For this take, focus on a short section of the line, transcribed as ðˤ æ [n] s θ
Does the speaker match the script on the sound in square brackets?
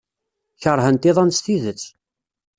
yes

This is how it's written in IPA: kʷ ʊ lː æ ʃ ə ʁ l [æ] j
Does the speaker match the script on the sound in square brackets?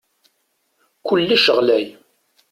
yes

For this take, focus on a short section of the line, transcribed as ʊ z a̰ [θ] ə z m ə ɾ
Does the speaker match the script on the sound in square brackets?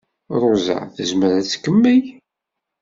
yes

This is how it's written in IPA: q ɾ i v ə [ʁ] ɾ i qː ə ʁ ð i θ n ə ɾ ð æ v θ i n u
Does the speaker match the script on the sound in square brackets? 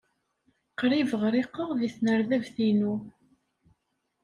yes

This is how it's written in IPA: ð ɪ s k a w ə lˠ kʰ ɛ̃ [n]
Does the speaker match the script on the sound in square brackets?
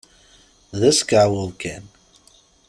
yes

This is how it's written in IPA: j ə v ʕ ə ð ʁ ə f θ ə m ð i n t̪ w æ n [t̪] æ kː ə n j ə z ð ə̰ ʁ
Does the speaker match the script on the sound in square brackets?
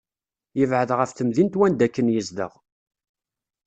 no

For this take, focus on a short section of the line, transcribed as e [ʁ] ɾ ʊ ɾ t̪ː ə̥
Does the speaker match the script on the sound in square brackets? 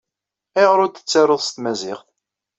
yes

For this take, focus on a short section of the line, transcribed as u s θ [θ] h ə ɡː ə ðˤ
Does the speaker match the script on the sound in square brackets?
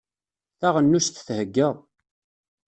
yes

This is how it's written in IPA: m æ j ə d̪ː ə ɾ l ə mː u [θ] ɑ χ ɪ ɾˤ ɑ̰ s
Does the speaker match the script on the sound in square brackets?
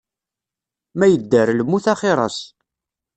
yes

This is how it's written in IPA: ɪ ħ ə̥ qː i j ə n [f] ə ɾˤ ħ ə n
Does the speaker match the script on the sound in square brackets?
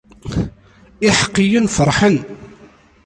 yes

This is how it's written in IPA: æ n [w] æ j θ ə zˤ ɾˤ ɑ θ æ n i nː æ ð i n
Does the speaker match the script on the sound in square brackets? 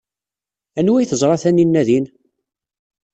yes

